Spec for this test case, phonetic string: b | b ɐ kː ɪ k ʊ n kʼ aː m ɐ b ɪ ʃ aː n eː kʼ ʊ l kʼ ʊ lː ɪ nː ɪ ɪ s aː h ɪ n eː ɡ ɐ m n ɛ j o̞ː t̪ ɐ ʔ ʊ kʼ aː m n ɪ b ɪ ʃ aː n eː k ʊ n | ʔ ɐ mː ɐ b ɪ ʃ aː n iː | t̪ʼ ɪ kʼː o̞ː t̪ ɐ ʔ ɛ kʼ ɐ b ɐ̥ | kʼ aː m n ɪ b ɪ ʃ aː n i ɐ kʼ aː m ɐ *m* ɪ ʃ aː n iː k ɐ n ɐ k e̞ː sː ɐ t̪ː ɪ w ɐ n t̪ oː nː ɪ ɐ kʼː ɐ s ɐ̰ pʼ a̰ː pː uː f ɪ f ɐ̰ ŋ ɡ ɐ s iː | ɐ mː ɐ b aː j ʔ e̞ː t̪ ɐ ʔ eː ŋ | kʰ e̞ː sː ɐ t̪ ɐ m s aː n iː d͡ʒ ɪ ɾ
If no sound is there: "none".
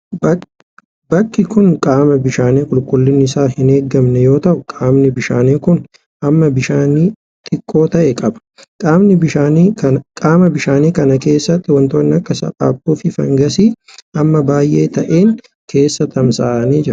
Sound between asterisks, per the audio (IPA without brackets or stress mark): b